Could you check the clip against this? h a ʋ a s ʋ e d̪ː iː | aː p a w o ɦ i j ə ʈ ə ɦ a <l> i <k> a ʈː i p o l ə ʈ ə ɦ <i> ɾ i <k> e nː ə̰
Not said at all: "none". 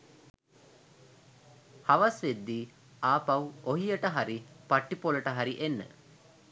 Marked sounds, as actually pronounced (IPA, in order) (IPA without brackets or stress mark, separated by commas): ɾ, p, a, ʔ